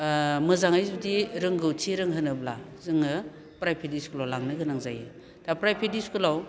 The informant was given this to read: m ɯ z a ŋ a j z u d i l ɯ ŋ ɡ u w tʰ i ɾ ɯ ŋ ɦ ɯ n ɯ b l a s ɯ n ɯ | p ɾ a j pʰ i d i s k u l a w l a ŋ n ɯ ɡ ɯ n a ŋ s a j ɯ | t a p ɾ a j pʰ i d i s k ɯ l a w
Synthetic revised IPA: m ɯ z a ŋ a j z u d i ɾ ɯ ŋ ɡ ɯ w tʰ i ɾ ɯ ŋ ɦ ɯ n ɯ b l a z ɯ ŋ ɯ | p ɾ a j pʰ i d i s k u l a w l a ŋ n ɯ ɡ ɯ n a ŋ z a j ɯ | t a p ɾ a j pʰ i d i s k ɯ l a w